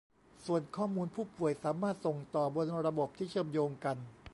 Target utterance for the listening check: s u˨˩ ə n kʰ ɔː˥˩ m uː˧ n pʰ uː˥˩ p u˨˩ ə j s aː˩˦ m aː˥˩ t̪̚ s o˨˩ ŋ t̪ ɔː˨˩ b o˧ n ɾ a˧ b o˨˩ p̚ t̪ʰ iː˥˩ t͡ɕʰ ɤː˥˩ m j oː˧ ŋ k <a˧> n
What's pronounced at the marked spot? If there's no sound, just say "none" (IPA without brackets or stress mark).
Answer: a˧